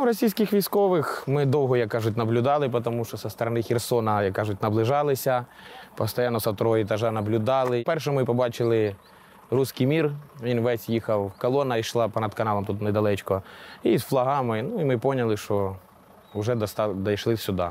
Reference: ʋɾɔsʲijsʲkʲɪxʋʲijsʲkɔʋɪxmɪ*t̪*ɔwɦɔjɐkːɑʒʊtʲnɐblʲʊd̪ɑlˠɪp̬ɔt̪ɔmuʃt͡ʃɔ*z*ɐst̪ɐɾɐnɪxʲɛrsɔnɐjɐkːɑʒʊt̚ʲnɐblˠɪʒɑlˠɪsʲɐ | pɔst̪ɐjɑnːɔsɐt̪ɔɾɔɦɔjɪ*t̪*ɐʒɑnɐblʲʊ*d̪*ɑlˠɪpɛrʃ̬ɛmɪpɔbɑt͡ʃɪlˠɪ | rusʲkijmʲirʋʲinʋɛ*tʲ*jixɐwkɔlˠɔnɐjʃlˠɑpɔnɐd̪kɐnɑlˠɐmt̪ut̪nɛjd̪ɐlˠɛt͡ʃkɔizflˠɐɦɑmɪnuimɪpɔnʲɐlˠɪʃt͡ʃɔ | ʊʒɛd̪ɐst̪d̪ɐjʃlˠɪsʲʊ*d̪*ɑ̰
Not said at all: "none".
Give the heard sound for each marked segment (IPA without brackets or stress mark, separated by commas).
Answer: d̪, s, t̪, d̪, sʲ, d̪